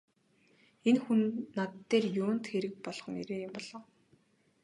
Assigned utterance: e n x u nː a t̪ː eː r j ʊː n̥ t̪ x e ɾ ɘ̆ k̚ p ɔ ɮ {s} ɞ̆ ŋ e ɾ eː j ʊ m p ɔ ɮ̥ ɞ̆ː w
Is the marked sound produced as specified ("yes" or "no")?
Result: no